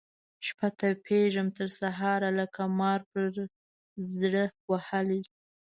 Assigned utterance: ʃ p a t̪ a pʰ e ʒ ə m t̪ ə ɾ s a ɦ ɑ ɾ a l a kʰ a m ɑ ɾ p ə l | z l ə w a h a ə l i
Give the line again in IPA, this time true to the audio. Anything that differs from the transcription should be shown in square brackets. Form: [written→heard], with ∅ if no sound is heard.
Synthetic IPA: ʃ p a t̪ a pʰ e ʒ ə m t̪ ə ɾ s a ɦ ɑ ɾ a l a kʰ a m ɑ ɾ p ə [l→ɾ] | z [l→ɽ] ə w a h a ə l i